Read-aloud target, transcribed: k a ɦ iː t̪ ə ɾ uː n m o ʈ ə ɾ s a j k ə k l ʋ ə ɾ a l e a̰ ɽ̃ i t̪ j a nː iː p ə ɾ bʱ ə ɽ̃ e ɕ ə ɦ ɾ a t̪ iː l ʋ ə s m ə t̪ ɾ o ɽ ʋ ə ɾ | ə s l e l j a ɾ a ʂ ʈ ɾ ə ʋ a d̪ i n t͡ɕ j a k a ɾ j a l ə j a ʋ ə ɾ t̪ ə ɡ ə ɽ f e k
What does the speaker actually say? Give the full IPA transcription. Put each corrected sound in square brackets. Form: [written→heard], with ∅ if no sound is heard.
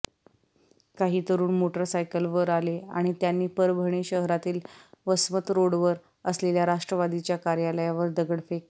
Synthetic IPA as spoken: k a ɦ iː t̪ ə ɾ uː n m o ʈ ə ɾ s a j k ə [k→∅] l ʋ ə ɾ a l e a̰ ɽ̃ i t̪ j a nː iː p ə ɾ bʱ ə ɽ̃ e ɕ ə ɦ ɾ a t̪ iː l ʋ ə s m ə t̪ ɾ o ɽ ʋ ə ɾ | ə s l e l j a ɾ a ʂ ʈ ɾ ə ʋ a d̪ i [n→∅] t͡ɕ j a k a ɾ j a l ə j a ʋ ə ɾ [t̪→d̪] ə ɡ ə ɽ f e k